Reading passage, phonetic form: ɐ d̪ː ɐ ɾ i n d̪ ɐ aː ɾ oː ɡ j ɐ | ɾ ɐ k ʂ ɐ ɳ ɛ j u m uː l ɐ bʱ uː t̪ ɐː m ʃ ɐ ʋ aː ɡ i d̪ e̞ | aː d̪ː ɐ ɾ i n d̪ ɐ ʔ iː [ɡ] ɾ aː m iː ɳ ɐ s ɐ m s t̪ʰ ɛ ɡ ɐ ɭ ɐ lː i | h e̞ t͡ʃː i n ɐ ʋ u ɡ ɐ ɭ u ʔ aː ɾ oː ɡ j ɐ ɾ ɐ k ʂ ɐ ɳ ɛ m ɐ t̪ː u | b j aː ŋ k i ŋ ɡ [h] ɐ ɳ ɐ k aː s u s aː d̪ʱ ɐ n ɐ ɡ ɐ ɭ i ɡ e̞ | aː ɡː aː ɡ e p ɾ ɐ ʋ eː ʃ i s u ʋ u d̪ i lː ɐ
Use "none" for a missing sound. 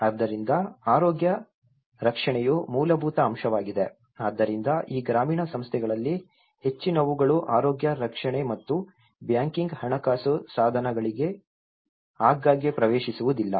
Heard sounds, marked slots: ɡ, h

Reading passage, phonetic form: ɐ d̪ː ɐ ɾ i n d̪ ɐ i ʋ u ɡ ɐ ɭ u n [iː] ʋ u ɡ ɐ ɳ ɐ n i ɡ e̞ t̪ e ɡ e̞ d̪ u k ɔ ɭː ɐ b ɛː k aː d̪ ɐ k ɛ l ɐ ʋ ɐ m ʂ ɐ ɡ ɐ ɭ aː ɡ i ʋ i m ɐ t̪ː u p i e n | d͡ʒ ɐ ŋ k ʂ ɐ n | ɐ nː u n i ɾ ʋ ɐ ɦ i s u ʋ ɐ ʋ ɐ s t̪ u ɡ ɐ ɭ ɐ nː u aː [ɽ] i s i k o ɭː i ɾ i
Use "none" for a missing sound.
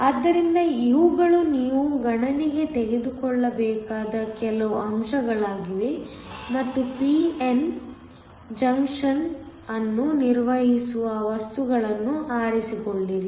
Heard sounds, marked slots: iː, ɾ

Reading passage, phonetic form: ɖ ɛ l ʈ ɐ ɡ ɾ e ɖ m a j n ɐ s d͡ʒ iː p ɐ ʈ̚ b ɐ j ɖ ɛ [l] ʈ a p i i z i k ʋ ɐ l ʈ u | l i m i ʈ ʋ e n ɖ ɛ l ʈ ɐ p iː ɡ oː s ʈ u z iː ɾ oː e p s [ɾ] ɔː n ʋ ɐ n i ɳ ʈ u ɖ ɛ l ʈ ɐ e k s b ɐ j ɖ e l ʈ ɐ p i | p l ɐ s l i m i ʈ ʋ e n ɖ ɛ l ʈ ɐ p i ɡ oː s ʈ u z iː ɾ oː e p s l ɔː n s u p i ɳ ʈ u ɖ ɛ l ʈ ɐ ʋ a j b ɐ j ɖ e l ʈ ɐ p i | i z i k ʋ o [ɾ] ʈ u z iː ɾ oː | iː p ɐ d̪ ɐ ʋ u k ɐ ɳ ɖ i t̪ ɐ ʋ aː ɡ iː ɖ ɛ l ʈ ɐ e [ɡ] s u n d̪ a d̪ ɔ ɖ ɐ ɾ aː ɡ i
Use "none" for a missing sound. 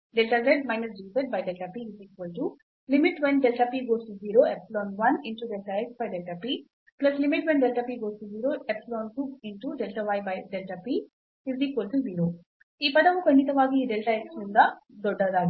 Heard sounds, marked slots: l, l, l, k

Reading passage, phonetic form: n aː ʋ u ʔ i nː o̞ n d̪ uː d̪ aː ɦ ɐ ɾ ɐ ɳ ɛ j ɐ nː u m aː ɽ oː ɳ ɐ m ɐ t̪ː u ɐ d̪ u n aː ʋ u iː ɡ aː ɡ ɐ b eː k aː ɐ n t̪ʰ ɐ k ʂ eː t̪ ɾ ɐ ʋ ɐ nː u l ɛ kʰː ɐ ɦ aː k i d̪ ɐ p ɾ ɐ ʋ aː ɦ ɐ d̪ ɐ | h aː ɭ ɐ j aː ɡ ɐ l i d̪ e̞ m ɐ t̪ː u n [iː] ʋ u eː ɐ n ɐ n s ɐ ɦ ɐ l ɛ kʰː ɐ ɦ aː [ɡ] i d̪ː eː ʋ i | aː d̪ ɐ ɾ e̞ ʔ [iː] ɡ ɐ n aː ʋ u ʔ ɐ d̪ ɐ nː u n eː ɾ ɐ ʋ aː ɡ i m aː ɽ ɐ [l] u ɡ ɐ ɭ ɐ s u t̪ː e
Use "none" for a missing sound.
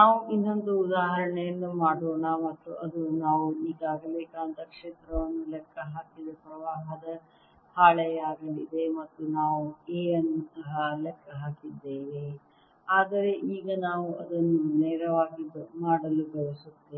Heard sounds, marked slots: aː, k, iː, l

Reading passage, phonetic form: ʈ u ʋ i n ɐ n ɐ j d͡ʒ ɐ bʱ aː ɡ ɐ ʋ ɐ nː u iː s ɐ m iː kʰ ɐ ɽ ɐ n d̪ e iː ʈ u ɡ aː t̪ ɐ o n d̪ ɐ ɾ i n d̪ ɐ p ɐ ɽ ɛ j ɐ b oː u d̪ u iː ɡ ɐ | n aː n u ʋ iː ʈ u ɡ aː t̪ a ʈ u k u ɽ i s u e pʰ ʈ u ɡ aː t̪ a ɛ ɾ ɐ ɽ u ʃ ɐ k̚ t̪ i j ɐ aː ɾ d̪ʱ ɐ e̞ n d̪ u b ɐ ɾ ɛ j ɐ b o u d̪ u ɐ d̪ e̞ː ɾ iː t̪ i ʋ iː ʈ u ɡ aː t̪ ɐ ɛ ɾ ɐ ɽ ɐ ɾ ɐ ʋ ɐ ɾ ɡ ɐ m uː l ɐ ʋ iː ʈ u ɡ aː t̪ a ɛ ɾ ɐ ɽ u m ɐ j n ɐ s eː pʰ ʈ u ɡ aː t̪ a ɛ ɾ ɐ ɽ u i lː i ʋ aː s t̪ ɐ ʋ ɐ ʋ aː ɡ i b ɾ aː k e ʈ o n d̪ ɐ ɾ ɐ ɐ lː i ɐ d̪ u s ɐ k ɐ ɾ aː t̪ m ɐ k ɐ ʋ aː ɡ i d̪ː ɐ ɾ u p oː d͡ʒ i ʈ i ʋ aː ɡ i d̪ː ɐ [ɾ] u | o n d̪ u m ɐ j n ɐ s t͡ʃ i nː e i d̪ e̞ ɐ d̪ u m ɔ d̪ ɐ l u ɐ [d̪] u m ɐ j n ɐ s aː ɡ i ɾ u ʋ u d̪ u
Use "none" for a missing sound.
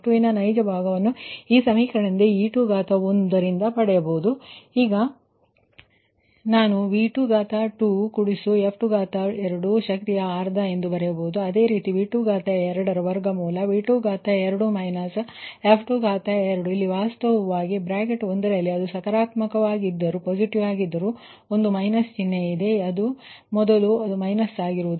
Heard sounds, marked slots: ɾ, d̪

